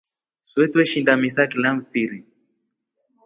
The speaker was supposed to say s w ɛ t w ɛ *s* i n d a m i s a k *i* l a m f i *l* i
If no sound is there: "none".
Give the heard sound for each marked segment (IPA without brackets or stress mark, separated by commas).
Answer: ʃ, i, ɾ